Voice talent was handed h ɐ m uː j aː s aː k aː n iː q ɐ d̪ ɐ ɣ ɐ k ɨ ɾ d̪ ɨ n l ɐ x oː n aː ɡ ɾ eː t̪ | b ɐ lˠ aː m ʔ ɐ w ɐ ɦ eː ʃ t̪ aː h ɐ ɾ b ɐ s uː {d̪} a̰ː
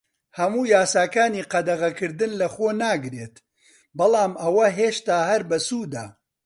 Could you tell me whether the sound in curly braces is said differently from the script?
no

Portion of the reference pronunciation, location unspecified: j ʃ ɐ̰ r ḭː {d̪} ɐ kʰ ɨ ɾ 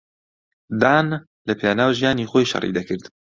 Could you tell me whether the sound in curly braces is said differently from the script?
no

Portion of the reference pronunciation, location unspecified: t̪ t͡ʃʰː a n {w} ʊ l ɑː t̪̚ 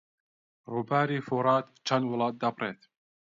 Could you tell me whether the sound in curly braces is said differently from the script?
no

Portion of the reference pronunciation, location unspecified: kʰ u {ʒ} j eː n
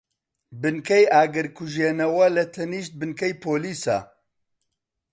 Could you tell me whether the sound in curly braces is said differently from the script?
no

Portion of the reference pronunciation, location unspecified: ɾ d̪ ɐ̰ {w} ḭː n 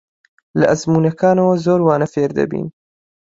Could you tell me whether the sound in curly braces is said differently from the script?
yes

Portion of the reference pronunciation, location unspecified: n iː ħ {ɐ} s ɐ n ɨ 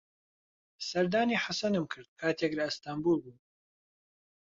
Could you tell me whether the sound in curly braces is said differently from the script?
yes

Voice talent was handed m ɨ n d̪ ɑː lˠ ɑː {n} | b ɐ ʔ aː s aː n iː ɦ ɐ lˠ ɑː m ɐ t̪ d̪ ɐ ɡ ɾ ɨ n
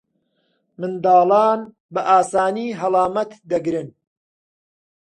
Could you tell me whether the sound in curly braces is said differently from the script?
no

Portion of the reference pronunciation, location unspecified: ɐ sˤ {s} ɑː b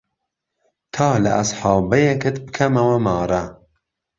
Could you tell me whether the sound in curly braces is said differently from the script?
yes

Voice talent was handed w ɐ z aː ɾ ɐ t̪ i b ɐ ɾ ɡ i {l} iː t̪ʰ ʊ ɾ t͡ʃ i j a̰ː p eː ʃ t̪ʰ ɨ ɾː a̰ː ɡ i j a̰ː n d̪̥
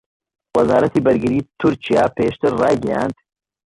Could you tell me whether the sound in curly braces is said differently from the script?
yes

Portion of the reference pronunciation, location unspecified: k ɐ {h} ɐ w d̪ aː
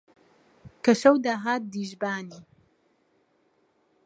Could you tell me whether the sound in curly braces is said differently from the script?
yes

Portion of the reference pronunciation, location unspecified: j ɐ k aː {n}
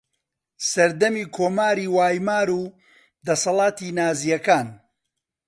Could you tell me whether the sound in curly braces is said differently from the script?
no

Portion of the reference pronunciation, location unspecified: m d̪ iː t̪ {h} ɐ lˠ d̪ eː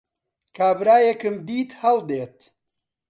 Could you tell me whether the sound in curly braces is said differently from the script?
no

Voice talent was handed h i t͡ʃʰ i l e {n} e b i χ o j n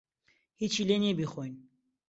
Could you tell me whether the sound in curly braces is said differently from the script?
no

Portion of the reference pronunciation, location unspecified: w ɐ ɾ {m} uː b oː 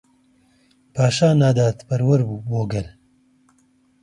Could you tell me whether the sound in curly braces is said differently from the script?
yes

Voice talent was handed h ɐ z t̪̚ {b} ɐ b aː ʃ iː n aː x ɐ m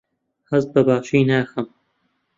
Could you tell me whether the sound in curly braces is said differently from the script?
no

